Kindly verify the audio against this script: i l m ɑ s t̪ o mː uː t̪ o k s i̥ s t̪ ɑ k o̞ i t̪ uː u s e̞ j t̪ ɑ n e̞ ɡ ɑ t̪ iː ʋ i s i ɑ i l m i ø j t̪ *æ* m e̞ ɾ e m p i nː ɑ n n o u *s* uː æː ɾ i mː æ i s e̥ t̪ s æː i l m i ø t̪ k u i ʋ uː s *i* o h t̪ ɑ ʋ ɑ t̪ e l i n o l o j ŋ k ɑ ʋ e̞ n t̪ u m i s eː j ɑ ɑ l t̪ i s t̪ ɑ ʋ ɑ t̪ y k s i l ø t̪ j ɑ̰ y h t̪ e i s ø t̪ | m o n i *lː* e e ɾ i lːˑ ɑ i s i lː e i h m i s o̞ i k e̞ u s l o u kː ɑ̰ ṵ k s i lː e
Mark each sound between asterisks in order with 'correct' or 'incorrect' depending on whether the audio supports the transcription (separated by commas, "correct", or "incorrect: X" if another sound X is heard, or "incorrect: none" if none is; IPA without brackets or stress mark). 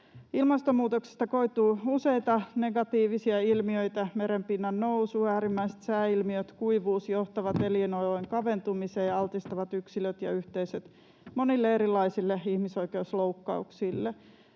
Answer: correct, correct, incorrect: j, correct